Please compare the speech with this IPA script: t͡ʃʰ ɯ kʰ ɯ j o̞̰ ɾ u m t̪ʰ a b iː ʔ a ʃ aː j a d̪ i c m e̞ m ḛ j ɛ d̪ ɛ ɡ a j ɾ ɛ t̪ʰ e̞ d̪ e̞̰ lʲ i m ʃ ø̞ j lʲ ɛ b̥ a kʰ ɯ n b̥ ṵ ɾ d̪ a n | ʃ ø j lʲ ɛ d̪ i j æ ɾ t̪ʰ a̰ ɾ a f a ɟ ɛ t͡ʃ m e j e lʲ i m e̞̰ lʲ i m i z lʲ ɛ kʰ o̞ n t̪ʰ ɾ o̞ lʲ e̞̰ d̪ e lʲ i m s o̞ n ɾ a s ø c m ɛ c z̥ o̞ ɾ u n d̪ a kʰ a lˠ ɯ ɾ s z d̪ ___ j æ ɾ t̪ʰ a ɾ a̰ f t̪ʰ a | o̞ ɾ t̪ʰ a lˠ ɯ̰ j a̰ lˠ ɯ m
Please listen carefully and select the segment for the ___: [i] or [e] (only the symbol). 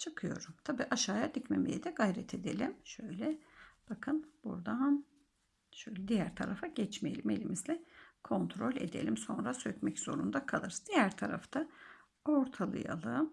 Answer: i